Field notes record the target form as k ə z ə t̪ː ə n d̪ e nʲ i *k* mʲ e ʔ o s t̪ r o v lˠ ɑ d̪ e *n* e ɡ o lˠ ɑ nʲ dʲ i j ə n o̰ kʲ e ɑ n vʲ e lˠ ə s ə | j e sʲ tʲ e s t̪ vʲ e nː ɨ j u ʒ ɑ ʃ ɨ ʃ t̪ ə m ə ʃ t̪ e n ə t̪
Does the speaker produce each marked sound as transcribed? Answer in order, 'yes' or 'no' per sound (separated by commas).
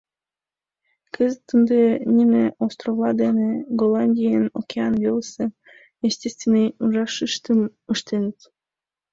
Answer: no, yes